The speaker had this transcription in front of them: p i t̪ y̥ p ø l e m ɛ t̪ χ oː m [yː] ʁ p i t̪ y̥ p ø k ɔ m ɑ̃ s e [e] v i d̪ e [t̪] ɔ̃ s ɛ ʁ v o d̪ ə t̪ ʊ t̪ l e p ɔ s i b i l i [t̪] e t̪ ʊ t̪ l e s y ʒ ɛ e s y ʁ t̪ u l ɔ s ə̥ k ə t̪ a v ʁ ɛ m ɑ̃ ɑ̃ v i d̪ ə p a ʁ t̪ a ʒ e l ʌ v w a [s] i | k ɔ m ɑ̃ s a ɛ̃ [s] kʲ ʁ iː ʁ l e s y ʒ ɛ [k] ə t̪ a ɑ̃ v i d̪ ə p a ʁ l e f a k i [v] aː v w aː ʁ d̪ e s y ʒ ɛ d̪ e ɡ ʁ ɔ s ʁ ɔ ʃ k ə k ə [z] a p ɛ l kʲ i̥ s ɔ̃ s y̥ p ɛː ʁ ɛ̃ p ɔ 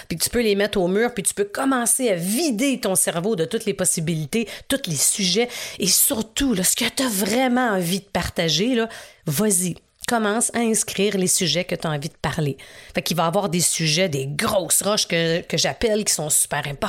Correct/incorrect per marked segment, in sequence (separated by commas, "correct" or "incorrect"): correct, incorrect, correct, correct, incorrect, correct, correct, correct, incorrect